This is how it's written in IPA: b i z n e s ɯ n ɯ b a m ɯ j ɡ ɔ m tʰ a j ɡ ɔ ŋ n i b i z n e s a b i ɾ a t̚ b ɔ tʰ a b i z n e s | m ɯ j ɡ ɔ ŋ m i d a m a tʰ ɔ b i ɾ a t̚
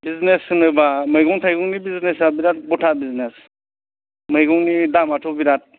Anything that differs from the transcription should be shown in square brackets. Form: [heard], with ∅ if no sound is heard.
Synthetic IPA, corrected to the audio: b i z n e s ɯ n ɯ b a m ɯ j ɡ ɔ [ŋ] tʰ a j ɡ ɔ ŋ n i b i z n e s a b i ɾ a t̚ b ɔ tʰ a b i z n e s | m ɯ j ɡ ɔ ŋ [n] i d a m a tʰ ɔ b i ɾ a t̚